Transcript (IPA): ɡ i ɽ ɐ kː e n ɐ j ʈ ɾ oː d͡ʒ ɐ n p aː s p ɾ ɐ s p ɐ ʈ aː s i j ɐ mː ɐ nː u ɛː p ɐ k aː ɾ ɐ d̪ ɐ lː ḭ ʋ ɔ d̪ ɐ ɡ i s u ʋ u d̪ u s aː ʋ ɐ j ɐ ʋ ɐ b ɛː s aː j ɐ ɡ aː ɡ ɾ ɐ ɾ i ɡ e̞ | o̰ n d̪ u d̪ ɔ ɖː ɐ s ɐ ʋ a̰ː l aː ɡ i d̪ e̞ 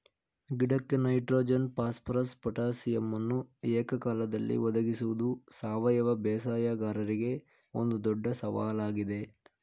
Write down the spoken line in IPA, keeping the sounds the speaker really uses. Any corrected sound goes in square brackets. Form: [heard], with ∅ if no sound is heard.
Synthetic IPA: ɡ i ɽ ɐ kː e n ɐ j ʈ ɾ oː d͡ʒ ɐ n p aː s p ɾ ɐ s p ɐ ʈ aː s i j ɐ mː ɐ nː u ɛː [k] ɐ k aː [l] ɐ d̪ ɐ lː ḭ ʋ ɔ d̪ ɐ ɡ i s u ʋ u d̪ u s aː ʋ ɐ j ɐ ʋ ɐ b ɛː s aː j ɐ ɡ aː [∅] ɾ ɐ ɾ i ɡ e̞ | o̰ n d̪ u d̪ ɔ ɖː ɐ s ɐ ʋ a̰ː l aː ɡ i d̪ e̞